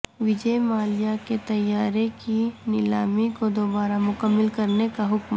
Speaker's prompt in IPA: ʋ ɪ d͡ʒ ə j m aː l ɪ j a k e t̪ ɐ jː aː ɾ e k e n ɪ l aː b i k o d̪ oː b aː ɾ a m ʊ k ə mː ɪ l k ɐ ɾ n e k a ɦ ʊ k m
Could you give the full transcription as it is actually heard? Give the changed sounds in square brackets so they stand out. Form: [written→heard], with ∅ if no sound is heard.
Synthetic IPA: ʋ ɪ d͡ʒ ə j m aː l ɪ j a k e t̪ ɐ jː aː ɾ e k [e→i] n ɪ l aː [b→m] i k o d̪ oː b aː ɾ a m ʊ k ə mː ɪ l k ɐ ɾ n e k a ɦ ʊ k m